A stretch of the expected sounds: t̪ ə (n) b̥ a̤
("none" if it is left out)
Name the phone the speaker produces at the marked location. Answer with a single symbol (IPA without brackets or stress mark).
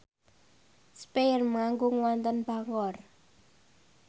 n